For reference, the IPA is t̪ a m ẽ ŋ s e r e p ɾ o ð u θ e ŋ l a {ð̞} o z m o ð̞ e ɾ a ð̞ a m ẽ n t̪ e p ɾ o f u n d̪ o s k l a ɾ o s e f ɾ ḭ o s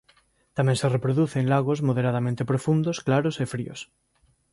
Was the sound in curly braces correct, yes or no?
no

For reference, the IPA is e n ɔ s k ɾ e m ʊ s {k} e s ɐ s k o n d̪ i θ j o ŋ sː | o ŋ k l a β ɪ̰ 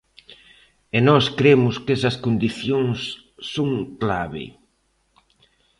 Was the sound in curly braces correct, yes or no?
yes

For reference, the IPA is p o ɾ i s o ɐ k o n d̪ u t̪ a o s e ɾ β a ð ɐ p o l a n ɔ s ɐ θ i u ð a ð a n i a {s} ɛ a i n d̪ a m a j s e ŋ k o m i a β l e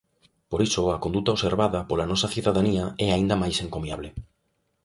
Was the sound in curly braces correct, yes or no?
no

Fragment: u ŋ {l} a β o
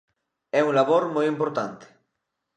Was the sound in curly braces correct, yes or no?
yes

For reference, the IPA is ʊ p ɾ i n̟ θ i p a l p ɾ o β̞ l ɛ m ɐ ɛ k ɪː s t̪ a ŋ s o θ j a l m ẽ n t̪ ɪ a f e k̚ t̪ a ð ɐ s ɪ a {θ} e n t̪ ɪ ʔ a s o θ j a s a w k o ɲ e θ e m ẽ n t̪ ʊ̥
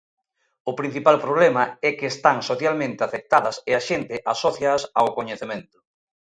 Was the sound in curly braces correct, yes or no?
no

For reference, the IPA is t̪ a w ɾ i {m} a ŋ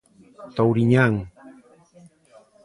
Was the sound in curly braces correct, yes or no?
no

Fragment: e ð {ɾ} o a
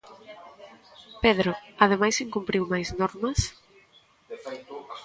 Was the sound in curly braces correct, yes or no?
yes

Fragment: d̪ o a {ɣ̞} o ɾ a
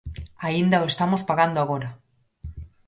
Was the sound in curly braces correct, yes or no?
yes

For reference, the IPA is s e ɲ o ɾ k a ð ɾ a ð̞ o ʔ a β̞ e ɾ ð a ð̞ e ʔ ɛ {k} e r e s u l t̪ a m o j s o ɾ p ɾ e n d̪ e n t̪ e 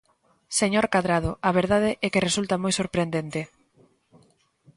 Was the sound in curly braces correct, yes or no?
yes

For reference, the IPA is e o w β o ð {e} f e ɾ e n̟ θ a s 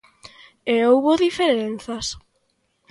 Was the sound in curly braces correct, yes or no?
no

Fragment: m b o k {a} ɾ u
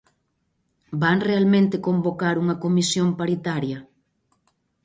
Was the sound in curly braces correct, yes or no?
yes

